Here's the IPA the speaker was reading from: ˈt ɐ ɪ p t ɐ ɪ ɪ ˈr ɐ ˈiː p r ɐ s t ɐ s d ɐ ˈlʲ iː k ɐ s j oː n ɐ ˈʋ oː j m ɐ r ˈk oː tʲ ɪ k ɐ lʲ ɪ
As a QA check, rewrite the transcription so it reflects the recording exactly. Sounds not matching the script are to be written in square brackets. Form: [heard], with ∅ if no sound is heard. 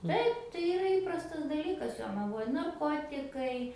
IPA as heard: ˈt ɐ ɪ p t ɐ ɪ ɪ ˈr ɐ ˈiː p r ɐ s t ɐ s d ɐ ˈlʲ iː k ɐ s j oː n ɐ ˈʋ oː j [n] ɐ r ˈk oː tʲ ɪ k ɐ [∅] ɪ